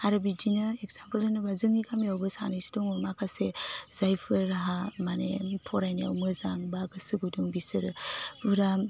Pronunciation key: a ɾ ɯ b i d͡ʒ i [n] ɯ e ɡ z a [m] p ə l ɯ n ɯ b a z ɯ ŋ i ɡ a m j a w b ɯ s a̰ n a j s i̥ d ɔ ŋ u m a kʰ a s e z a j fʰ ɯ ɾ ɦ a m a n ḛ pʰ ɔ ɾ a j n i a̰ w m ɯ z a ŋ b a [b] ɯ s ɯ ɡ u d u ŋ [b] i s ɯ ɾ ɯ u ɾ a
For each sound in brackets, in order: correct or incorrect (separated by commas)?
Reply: correct, correct, incorrect, correct